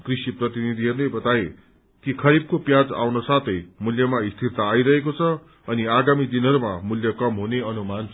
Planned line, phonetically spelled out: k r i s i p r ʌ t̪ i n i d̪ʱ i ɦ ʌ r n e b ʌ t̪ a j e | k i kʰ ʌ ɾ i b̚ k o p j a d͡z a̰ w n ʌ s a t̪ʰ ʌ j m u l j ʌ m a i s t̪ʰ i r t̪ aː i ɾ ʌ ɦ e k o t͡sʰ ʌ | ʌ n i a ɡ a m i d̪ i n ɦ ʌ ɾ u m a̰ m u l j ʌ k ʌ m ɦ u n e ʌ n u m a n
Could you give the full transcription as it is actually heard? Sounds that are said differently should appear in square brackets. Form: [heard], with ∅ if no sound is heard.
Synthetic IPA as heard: k r i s i p r ʌ t̪ i n i d̪ʱ i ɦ ʌ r n e b ʌ t̪ a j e | k i kʰ ʌ ɾ i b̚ k o p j a d͡z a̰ w n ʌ s a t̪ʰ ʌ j m u l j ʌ m a i s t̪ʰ i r t̪ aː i ɾ ʌ ɦ e k o t͡sʰ ʌ | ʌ n i a ɡ a m i d̪ i n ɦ ʌ ɾ u m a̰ m u l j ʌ k ʌ m ɦ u n e ʌ n u m a n